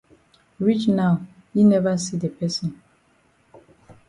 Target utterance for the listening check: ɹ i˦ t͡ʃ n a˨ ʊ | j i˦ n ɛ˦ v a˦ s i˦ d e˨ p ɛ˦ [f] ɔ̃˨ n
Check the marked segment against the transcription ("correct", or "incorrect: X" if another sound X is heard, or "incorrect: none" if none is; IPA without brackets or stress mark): incorrect: s